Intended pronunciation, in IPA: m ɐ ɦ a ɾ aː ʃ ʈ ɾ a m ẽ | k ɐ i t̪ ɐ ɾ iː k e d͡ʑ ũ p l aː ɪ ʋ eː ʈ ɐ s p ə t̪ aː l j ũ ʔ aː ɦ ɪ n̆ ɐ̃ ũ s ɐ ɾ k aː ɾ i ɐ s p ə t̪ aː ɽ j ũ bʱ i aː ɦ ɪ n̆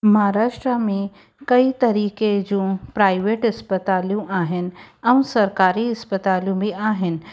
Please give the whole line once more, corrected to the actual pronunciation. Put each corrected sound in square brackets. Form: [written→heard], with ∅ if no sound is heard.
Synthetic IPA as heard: m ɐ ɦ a ɾ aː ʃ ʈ ɾ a m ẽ | k ɐ i t̪ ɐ ɾ iː k e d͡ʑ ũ p [l→ɾ] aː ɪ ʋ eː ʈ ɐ s p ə t̪ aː l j ũ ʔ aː ɦ ɪ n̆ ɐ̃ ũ s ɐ ɾ k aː ɾ i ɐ s p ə t̪ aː [ɽ→l] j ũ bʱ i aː ɦ ɪ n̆